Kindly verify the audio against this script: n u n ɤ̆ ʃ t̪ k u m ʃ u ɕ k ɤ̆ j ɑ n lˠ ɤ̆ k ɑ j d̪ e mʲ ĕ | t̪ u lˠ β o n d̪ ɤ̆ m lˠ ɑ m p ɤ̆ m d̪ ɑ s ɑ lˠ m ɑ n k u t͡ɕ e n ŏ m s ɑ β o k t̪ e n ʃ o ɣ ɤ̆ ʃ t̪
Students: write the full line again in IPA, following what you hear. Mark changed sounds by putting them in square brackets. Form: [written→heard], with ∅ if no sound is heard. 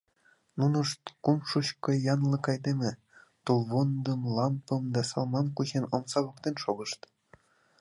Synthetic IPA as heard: n u n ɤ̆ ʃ t̪ k u m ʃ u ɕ k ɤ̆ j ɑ n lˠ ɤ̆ k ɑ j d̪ e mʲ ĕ | t̪ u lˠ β o n d̪ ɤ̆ m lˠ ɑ m p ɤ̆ m d̪ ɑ s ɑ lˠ m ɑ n k u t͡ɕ e n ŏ m s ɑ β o k t̪ e n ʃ o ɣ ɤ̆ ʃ t̪